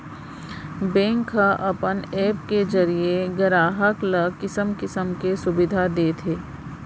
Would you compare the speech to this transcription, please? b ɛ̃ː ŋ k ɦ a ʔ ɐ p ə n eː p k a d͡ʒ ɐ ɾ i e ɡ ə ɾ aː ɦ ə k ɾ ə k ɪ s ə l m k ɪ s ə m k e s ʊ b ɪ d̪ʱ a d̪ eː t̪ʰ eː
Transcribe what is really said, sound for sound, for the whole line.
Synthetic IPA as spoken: b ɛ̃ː ŋ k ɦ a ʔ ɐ p ə n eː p k e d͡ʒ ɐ ɾ i e ɡ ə ɾ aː ɦ ə k l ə k ɪ s ə m k ɪ s ə m k e s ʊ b ɪ d̪ʱ a d̪ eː t̪ʰ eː